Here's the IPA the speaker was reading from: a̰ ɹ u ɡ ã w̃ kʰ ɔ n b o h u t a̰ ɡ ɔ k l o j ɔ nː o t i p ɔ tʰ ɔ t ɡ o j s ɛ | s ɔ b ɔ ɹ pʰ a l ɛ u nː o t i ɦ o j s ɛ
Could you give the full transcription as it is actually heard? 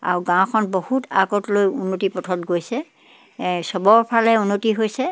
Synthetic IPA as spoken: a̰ ɹ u ɡ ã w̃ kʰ ɔ n b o h u t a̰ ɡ ɔ t l o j u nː o t i p ɔ tʰ ɔ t ɡ o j s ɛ | s ɔ b ɔ ɹ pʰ a l ɛ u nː o t i ɦ o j s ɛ